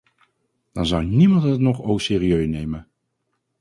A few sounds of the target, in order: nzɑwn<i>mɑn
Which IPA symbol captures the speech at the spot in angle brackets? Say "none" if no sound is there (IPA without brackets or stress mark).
i